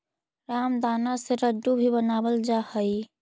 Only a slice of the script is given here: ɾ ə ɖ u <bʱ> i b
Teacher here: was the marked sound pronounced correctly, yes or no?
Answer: yes